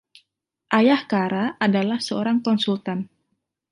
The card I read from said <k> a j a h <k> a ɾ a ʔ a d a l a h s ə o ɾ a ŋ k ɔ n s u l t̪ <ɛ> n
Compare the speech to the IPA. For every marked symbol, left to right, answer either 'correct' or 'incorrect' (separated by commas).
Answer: incorrect, correct, incorrect